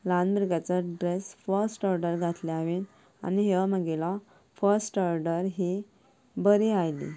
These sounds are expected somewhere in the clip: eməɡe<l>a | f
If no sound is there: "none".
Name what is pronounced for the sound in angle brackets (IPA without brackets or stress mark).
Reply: l